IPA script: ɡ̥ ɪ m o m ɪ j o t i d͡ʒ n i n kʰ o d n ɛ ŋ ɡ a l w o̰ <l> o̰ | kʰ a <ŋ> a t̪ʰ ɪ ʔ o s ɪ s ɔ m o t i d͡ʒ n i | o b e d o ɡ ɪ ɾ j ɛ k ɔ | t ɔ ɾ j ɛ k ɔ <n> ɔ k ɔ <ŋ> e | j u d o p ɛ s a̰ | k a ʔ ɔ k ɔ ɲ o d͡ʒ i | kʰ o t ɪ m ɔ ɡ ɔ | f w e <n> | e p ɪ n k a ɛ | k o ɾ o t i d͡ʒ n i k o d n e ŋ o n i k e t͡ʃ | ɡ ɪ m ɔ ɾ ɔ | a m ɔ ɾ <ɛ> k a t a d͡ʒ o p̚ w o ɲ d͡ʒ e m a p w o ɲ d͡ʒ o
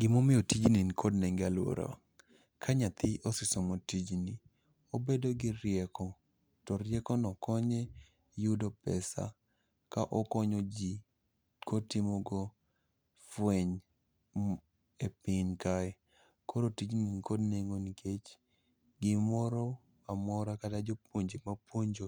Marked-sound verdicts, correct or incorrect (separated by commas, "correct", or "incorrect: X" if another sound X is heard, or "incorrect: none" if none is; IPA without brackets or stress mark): incorrect: ɾ, incorrect: ɲ, correct, incorrect: ɲ, incorrect: ɲ, incorrect: a